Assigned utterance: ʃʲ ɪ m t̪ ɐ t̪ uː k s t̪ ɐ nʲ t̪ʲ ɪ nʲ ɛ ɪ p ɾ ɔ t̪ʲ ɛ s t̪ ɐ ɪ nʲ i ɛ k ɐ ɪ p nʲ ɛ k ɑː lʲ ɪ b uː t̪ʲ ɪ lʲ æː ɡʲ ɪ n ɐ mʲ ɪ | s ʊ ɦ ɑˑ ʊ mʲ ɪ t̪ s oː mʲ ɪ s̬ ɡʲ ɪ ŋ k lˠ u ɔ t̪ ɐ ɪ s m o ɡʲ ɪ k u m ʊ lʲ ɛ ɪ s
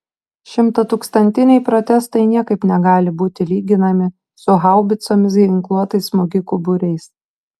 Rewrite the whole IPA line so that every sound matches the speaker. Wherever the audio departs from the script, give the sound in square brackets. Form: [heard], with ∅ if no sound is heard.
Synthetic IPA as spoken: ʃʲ ɪ m t̪ ɐ t̪ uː k s t̪ ɐ nʲ t̪ʲ ɪ nʲ ɛ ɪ p ɾ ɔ t̪ʲ ɛ s t̪ ɐ ɪ nʲ i ɛ k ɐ ɪ p nʲ ɛ [ɡ] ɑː lʲ ɪ b uː t̪ʲ ɪ lʲ [iː] ɡʲ ɪ n ɐ mʲ ɪ | s ʊ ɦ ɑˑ ʊ [bʲ] ɪ t̪ s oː mʲ ɪ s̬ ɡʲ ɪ ŋ k lˠ u ɔ t̪ ɐ ɪ s m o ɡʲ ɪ k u [b] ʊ [ɾʲ] ɛ ɪ s